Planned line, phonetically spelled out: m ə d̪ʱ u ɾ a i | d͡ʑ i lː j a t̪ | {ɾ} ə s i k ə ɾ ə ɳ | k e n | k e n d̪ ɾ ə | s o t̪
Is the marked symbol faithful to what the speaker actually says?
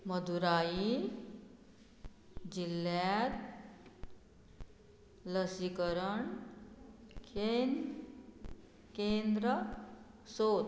no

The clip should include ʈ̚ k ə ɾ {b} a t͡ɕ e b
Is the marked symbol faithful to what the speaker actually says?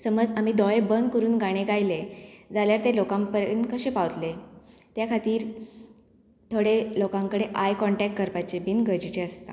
no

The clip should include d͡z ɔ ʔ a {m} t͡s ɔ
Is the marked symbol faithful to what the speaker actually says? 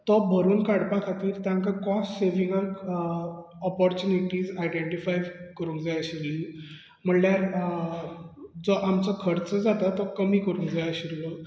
yes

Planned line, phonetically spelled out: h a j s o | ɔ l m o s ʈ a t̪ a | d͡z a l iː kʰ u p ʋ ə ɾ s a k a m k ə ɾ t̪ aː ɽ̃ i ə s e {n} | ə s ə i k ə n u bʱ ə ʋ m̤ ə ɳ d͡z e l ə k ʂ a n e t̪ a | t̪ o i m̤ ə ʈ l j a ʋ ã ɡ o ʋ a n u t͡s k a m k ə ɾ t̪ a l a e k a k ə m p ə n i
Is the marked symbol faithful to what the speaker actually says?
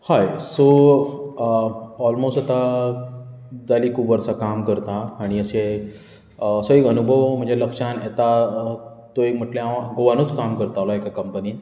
no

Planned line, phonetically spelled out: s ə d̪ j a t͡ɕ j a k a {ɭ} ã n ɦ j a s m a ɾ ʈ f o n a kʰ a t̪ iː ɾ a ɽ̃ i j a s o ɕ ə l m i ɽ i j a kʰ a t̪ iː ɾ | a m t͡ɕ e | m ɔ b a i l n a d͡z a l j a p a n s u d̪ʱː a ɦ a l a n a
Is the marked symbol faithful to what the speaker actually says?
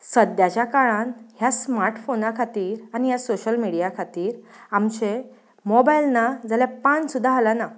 yes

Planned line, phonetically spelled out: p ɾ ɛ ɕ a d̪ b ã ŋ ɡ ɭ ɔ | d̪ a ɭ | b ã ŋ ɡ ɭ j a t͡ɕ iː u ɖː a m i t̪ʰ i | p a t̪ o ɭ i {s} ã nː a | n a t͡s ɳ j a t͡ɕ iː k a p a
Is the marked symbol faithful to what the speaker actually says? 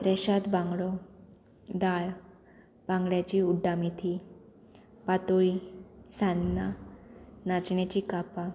yes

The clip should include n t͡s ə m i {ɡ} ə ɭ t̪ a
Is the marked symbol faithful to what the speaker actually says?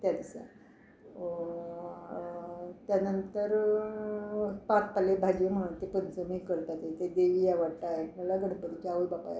no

